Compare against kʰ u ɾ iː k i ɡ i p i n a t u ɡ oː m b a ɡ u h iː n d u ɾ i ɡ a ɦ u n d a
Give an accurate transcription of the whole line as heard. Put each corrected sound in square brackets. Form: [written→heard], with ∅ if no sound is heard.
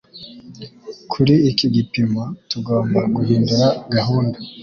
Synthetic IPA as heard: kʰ u ɾ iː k i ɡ i p i [n→m] a t u ɡ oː m b a ɡ u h iː n d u ɾ [i→a] ɡ a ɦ [u→uː] n d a